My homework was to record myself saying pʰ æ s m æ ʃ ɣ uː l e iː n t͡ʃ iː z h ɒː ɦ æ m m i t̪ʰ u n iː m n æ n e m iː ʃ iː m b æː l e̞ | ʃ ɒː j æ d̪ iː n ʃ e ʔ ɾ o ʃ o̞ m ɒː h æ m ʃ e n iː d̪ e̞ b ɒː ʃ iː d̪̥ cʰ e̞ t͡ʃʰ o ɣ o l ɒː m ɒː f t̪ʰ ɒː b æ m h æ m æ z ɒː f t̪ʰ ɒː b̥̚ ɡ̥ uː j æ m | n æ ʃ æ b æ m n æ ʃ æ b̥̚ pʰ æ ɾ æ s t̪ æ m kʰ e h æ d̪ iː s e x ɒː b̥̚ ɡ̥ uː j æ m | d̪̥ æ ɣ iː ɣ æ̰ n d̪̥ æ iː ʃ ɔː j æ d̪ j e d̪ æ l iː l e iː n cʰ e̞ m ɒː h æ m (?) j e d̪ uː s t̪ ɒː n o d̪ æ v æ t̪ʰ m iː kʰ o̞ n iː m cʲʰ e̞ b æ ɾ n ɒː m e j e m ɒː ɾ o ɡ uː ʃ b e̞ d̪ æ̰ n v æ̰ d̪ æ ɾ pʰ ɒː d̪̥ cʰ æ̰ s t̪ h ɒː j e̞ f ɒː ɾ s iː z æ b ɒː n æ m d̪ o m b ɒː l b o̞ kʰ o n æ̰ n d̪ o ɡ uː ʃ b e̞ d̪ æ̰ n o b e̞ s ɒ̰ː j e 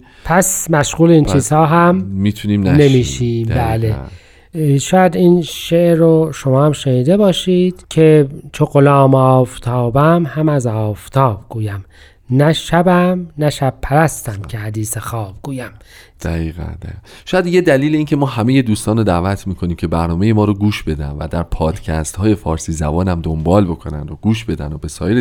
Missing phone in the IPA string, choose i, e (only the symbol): e